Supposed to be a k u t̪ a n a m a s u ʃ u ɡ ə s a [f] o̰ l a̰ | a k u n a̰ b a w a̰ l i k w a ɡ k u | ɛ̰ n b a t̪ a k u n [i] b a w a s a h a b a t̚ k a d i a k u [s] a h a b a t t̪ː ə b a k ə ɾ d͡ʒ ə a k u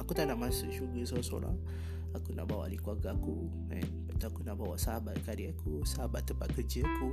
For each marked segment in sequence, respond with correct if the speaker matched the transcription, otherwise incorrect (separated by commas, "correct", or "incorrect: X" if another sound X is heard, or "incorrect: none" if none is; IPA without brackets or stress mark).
incorrect: s, incorrect: a, correct